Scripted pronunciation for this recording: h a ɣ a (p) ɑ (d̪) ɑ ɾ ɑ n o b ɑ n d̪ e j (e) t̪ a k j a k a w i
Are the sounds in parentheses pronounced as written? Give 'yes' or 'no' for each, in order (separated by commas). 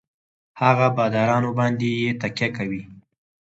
no, yes, yes